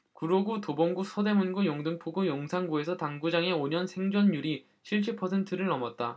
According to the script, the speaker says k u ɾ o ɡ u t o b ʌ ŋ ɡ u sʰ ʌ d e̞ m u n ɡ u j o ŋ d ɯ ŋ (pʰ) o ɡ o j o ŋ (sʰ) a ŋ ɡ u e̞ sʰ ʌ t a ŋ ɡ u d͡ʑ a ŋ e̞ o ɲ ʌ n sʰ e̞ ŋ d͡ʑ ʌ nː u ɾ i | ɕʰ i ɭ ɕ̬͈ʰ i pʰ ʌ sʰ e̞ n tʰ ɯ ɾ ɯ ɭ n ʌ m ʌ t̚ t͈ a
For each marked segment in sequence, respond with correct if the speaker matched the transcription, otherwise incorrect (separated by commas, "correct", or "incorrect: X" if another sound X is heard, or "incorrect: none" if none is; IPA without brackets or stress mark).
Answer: correct, correct